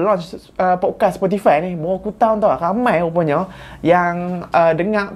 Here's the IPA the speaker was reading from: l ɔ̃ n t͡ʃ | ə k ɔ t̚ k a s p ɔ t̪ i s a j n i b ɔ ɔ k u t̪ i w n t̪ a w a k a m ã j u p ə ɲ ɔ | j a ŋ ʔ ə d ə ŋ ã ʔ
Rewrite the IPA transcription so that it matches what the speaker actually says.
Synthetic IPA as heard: l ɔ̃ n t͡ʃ | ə p ɔ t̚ k a s p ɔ t̪ i f a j n i b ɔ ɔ k u t̪ a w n t̪ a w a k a m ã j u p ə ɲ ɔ | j a ŋ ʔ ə d ə ŋ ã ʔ